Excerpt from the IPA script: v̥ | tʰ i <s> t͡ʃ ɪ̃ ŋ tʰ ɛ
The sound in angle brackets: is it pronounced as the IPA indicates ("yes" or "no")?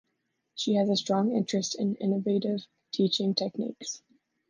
no